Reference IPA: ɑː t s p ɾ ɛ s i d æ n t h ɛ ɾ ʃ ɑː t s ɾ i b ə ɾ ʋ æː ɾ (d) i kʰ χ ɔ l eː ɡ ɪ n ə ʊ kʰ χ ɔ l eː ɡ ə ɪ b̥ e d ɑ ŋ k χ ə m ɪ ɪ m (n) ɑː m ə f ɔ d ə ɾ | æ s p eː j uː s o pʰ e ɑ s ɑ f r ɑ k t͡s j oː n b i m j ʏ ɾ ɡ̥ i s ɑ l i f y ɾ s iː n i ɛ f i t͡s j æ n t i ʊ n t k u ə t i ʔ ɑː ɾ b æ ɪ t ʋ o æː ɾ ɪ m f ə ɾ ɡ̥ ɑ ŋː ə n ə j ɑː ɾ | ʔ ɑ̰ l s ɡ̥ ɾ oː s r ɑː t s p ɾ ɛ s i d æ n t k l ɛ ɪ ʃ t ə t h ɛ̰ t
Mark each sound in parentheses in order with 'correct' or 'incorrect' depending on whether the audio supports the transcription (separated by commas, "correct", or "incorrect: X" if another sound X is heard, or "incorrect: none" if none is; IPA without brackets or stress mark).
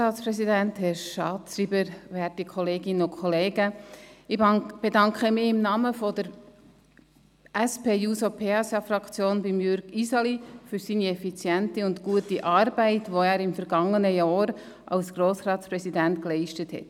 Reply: incorrect: t, correct